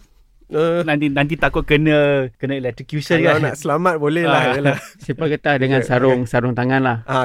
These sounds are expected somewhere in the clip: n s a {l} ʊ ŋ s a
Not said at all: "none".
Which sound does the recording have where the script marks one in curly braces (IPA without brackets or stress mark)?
ɾ